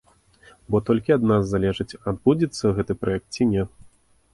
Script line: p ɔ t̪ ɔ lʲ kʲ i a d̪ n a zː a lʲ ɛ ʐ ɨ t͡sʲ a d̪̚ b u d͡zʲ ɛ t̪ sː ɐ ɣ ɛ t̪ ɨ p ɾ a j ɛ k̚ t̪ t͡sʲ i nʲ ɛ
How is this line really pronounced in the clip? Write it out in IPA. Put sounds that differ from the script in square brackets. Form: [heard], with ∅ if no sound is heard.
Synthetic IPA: [b] ɔ t̪ ɔ lʲ kʲ i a d̪ n a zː a lʲ ɛ ʐ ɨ t͡sʲ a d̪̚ b u d͡zʲ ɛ t̪ sː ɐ ɣ ɛ t̪ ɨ p ɾ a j ɛ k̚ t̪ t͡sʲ i nʲ ɛ